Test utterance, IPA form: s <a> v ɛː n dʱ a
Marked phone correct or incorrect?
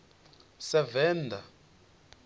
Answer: incorrect: ɛ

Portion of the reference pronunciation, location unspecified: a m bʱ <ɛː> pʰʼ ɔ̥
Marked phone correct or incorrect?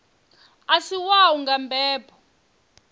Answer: correct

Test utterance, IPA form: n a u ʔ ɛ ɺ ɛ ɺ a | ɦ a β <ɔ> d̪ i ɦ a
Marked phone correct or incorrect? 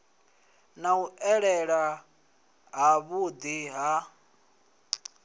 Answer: incorrect: u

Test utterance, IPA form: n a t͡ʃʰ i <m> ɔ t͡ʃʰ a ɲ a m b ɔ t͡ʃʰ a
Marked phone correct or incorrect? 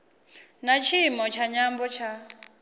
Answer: correct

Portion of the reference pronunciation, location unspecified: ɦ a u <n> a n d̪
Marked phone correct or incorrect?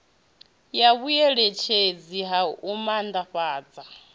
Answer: incorrect: m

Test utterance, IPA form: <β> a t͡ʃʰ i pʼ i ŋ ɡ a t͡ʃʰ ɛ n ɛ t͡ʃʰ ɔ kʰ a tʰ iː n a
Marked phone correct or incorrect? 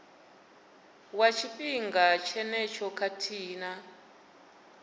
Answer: incorrect: w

